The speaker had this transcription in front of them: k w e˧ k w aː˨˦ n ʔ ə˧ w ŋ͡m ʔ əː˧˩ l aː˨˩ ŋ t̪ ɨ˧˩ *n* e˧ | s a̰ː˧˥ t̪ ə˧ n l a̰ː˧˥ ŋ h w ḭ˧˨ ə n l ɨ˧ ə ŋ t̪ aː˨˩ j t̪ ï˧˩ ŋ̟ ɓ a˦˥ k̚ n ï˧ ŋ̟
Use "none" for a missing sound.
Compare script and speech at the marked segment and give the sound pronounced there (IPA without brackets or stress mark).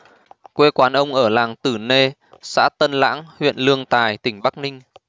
n